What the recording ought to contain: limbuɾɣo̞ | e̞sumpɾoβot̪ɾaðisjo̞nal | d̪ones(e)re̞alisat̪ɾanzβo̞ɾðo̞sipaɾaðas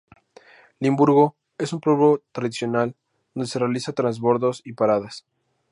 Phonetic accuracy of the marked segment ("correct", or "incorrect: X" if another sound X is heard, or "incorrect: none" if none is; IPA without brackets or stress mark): correct